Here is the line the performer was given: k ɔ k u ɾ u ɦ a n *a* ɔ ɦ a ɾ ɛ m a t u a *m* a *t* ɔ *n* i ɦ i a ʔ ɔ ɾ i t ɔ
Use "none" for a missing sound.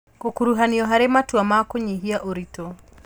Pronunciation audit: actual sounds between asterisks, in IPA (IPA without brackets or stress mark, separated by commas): i, m, k, ɲ